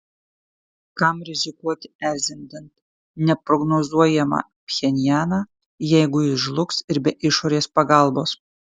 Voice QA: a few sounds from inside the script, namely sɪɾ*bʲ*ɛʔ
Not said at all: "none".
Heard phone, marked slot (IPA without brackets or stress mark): bʲ